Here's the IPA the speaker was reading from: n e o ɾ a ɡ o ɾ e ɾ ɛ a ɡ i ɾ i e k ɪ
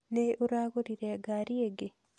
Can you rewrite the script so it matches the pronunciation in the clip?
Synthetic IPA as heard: n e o ɾ a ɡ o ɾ i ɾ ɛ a ɡ a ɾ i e ɡ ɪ